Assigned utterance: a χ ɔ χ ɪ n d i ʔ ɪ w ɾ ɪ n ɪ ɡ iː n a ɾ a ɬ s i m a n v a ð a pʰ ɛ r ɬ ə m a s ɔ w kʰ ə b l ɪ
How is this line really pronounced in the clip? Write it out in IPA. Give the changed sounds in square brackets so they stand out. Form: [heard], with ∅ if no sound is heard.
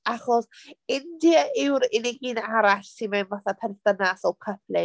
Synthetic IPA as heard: a χ ɔ [s] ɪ n d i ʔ ɪ w ɾ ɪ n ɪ ɡ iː n a ɾ a ɬ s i m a n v a [θ] a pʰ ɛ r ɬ ə [n] a s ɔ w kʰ ə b l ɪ

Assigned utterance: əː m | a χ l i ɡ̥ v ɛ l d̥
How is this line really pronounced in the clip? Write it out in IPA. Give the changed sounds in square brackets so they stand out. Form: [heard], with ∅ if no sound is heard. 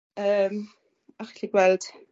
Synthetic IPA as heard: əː m | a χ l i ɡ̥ [w] ɛ l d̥

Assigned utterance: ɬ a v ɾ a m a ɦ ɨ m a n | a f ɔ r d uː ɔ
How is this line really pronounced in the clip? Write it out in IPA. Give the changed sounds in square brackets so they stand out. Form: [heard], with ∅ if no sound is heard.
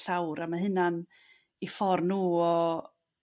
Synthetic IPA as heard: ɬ a [w] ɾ a m a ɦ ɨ [n] a n | [i] f ɔ r [n] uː ɔ

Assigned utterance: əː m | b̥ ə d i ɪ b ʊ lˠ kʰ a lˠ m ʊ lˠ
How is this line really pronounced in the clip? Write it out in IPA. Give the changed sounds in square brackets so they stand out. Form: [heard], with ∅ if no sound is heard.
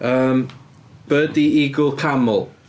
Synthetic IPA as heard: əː m | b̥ ə d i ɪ [ɡ] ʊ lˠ kʰ a [∅] m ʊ lˠ

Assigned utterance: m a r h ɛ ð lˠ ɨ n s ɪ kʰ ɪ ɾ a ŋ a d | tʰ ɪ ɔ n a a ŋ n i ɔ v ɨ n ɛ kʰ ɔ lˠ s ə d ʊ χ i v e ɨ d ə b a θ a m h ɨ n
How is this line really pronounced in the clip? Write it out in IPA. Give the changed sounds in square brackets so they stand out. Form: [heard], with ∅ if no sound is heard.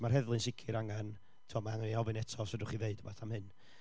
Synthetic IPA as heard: m a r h ɛ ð lˠ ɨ n s ɪ kʰ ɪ ɾ a ŋ a [n] | tʰ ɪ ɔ [m] a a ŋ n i ɔ v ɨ n ɛ [tʰ] ɔ [∅] s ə d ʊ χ i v e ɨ d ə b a θ a m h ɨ n

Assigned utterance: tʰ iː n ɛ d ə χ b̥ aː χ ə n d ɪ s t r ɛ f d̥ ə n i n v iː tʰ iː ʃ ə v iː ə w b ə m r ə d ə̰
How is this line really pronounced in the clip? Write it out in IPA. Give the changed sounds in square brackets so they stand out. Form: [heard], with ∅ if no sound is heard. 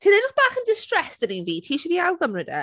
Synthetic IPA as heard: tʰ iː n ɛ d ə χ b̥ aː χ ə n d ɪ s t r ɛ [s] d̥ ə n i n v iː tʰ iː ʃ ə v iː [a] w [ɡ] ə m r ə d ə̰

